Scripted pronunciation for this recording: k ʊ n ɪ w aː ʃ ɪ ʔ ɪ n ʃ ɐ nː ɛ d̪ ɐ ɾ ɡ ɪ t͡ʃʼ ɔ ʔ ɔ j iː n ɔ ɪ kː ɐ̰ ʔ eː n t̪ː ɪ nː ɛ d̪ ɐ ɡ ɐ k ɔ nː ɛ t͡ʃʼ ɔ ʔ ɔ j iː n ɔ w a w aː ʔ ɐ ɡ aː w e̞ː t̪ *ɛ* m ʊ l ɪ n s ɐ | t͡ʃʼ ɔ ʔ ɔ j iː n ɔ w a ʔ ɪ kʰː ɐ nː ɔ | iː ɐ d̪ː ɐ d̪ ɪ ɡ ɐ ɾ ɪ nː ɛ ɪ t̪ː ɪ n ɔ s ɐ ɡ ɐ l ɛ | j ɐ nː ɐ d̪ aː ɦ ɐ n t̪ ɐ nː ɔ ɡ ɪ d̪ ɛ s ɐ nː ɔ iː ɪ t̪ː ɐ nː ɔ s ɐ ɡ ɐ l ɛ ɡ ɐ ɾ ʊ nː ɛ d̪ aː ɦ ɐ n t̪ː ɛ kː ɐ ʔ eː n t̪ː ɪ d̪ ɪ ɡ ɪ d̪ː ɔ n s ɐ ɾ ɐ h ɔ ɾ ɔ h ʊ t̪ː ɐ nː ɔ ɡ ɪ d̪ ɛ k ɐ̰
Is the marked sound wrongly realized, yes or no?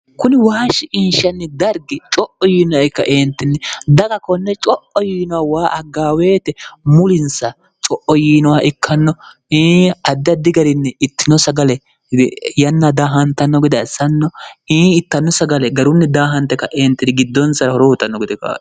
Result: no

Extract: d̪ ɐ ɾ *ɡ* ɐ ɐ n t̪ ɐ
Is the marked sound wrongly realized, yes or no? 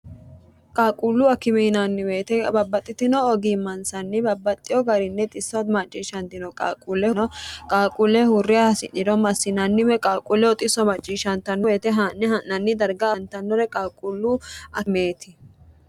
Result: no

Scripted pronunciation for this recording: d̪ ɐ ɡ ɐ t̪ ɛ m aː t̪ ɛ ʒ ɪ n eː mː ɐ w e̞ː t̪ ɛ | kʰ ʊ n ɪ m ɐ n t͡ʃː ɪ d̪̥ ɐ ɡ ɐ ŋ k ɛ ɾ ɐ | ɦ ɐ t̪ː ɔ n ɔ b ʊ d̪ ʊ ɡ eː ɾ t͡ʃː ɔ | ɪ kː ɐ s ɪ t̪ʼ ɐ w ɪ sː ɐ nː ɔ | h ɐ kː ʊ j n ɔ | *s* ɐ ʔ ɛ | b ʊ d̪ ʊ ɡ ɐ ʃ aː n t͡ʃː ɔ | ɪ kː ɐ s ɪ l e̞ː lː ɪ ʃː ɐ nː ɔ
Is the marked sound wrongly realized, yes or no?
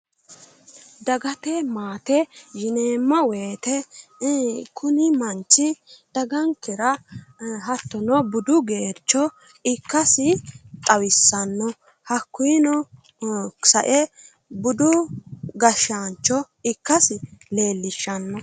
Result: no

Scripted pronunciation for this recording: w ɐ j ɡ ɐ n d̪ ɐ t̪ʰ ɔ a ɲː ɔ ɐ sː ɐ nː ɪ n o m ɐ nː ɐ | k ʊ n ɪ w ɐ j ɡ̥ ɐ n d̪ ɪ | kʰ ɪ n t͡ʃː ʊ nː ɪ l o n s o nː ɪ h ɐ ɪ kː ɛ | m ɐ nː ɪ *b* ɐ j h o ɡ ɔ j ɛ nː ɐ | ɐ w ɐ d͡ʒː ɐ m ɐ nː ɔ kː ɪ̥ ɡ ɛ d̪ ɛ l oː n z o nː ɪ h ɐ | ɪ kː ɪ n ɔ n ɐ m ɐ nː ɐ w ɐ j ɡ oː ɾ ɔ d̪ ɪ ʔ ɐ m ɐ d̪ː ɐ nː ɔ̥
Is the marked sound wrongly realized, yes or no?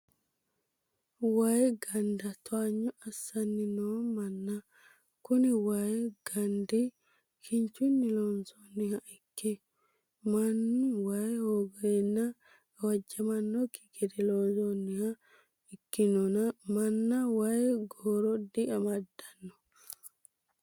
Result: yes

